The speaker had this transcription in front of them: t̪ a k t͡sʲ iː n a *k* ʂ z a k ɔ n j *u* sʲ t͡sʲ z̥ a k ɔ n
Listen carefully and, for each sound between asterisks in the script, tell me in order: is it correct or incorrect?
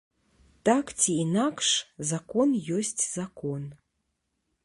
correct, incorrect

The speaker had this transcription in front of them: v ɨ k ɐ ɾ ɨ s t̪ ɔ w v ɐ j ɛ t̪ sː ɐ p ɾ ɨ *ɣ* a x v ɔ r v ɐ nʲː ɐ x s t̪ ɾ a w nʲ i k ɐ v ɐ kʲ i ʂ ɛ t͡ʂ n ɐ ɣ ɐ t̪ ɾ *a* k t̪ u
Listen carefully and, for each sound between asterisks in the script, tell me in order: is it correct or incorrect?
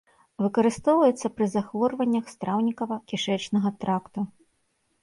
incorrect, correct

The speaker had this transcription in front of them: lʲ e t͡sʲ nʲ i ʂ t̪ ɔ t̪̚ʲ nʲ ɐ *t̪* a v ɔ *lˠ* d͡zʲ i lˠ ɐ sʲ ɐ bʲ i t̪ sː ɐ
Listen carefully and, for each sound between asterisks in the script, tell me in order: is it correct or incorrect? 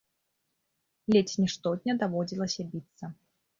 incorrect, incorrect

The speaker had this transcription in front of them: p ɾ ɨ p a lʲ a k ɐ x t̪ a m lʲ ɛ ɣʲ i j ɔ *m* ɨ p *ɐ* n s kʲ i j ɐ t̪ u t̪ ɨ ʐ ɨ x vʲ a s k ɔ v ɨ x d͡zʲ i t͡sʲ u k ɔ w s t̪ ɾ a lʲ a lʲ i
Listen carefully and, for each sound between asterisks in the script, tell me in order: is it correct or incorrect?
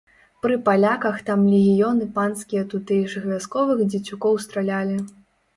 incorrect, incorrect

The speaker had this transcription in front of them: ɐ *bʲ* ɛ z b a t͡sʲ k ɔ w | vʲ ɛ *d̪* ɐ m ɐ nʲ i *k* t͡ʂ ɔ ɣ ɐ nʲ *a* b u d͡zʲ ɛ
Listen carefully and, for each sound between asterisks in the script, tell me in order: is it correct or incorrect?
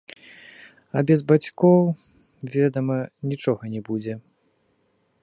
correct, correct, incorrect, incorrect

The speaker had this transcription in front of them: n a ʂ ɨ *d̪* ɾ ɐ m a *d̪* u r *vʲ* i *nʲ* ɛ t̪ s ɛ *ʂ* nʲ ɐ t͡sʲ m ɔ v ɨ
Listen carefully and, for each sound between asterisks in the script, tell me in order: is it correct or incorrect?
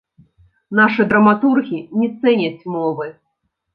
correct, incorrect, incorrect, correct, incorrect

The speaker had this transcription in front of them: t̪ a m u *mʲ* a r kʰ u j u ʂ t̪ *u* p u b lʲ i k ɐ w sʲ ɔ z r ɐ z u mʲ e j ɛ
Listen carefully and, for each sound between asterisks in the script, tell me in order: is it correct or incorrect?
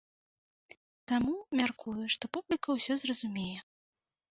correct, incorrect

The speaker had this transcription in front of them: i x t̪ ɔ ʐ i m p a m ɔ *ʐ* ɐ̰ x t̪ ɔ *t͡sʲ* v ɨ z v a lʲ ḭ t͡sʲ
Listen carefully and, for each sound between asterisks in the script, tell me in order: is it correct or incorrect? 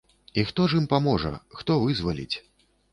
correct, incorrect

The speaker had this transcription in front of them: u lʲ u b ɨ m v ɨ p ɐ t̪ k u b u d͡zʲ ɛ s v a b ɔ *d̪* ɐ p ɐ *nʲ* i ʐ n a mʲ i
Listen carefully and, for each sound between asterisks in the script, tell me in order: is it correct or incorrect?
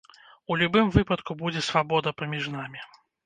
correct, incorrect

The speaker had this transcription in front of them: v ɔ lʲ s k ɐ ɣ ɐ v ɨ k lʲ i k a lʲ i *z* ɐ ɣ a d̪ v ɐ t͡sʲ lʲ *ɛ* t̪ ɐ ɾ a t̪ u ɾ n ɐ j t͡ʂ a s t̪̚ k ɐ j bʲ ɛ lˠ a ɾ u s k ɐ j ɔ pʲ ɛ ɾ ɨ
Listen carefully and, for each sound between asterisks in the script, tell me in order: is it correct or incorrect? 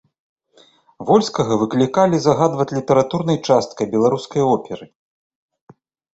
correct, incorrect

